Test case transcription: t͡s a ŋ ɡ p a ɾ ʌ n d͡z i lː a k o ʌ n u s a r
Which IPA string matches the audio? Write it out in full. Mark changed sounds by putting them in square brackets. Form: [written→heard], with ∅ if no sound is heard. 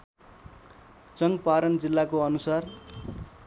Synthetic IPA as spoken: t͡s [a→ʌ] ŋ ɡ p a ɾ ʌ n d͡z i lː a k o ʌ n u s a r

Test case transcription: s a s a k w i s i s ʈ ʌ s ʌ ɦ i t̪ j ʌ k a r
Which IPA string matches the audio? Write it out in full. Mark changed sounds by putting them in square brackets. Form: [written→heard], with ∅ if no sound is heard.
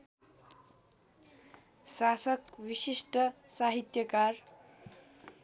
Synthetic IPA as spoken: s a s [a→ʌ] k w i s i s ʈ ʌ s [ʌ→a] ɦ i t̪ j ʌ k a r

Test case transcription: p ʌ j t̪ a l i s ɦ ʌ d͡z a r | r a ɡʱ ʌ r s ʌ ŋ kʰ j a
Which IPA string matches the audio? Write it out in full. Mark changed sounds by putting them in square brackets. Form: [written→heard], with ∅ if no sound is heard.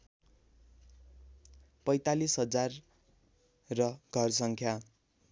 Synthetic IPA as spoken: p ʌ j t̪ a l i s ɦ ʌ d͡z a r | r [a→ʌ] ɡʱ ʌ r s ʌ ŋ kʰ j a

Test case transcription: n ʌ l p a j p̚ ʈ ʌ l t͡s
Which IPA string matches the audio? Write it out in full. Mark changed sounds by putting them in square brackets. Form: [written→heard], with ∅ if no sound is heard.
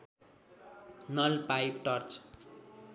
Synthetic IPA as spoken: n ʌ l p a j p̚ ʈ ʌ [l→r] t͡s

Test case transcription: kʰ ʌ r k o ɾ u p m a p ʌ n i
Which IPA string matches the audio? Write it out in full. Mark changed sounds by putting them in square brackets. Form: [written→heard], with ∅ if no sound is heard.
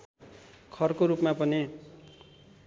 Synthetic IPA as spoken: kʰ ʌ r k o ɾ u p m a p ʌ n i

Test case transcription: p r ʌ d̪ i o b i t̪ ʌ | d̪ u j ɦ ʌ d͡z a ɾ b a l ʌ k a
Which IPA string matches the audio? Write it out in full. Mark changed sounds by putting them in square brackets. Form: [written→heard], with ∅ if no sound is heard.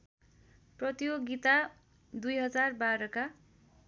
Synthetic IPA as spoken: p r ʌ [d̪→t̪] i o [b→ɡ] i t̪ [ʌ→a] | d̪ u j ɦ ʌ d͡z a [ɾ→r] b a [l→ɾ] ʌ k a

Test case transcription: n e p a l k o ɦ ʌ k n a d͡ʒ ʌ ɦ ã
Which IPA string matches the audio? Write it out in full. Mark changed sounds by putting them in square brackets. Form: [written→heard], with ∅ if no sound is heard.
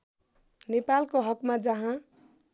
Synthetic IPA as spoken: n e p a l k o ɦ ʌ k [n→m] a d͡ʒ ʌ ɦ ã

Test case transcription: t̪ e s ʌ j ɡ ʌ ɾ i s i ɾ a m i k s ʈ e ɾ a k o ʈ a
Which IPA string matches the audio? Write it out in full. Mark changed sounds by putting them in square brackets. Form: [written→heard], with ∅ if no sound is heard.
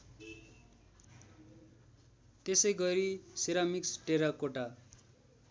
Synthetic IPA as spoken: t̪ e s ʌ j ɡ ʌ ɾ i s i ɾ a m i k s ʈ e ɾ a k o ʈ a

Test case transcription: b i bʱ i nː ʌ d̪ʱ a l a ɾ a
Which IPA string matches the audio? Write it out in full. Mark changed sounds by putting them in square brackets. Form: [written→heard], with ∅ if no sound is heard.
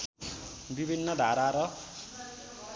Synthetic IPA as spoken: b i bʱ i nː ʌ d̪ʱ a [l→ɾ] a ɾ [a→ʌ]

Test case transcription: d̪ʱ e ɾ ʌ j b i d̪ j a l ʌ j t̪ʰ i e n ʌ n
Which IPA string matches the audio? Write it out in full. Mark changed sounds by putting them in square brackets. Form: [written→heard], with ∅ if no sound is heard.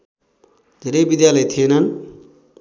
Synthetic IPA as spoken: d̪ʱ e ɾ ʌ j b i d̪ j a l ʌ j t̪ʰ i e n ʌ n

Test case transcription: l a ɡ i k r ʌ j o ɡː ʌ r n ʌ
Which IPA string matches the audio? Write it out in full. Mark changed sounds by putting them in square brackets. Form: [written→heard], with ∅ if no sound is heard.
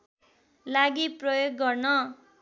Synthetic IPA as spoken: l a ɡ i [k→p] r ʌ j o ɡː ʌ r n ʌ

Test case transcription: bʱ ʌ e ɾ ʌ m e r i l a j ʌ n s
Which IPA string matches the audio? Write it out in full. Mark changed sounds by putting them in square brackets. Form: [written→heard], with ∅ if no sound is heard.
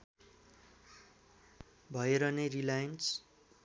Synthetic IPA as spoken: bʱ ʌ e ɾ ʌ [m→n] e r i l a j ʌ n s

